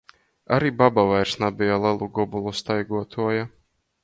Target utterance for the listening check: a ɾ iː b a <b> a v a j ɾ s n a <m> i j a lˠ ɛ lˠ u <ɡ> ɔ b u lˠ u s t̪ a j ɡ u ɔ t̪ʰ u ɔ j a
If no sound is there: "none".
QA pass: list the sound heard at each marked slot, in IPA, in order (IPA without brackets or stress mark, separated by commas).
b, b, ɡ